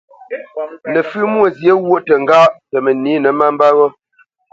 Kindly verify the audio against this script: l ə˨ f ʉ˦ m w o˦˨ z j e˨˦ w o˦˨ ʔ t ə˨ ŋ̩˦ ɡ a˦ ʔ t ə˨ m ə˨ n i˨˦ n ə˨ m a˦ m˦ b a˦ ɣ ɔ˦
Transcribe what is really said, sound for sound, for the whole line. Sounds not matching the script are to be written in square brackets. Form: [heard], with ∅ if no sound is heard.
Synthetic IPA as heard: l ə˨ f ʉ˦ m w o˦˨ z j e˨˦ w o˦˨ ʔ t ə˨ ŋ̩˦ ɡ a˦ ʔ t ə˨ m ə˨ n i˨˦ n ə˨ m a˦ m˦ b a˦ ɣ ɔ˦